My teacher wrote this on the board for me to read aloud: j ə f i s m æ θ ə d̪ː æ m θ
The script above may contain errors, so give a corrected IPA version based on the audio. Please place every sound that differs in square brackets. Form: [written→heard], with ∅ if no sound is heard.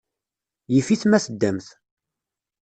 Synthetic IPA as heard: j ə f i [s→θ] m æ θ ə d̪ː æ m θ